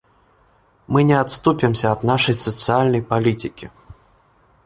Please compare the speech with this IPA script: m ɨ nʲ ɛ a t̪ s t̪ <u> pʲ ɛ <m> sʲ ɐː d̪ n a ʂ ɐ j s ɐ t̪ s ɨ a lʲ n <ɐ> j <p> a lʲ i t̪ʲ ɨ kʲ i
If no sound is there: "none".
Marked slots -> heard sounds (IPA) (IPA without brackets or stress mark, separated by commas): u, m, ɐ, p